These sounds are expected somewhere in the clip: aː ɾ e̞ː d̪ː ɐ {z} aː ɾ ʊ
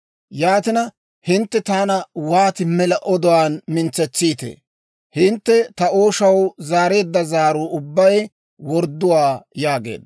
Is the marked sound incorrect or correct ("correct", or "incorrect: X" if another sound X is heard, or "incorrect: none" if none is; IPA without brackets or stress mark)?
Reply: correct